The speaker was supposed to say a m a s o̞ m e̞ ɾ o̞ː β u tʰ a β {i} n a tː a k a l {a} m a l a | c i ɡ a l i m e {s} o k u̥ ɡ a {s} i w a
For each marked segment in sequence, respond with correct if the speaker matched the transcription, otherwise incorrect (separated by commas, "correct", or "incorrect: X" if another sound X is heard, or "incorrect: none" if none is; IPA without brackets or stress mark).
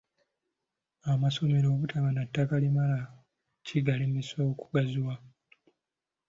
incorrect: a, incorrect: i, correct, incorrect: z